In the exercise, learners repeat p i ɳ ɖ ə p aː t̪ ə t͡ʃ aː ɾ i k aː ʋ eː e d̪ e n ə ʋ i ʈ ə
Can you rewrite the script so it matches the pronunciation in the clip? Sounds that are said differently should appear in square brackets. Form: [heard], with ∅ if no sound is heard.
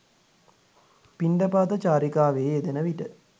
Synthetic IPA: p i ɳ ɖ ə p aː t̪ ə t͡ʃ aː ɾ i k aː ʋ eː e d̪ e n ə ʋ i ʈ ə